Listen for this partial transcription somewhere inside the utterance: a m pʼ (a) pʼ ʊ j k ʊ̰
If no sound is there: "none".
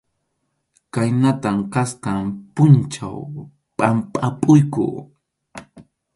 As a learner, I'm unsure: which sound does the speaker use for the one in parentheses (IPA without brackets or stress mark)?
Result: a